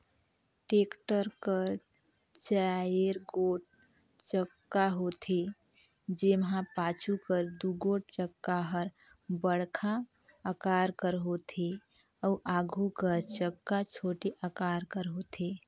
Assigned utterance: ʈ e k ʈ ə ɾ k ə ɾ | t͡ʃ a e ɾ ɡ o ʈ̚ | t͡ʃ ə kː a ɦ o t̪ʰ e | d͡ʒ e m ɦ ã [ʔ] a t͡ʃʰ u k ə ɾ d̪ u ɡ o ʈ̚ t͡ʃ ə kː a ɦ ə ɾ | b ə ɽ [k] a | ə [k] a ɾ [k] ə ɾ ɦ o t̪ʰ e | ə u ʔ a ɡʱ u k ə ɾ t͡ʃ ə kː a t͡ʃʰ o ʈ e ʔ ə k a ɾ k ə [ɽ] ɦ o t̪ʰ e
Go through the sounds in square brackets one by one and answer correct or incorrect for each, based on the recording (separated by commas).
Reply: incorrect, incorrect, correct, correct, incorrect